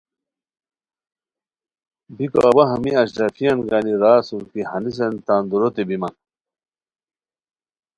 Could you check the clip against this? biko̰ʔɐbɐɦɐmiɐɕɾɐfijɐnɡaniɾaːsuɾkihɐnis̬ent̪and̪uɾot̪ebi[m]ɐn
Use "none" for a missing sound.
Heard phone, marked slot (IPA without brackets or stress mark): m